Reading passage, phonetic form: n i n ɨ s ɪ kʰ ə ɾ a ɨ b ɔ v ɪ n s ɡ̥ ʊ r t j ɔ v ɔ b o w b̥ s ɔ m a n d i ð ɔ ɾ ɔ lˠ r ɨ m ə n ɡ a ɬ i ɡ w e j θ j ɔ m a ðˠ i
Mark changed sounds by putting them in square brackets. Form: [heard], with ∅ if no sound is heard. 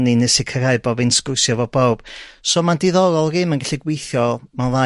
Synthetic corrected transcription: n i n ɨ s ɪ kʰ ə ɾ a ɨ b ɔ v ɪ n s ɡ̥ ʊ r [s] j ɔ v ɔ b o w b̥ s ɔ m a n d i ð ɔ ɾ ɔ lˠ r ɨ m ə n ɡ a ɬ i ɡ w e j θ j ɔ m a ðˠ [a]